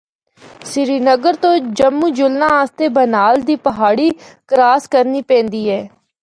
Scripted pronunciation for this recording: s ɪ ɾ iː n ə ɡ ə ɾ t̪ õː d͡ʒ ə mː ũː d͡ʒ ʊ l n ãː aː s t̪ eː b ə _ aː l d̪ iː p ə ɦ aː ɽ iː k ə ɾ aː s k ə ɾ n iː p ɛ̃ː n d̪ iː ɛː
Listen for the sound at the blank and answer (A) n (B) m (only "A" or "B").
A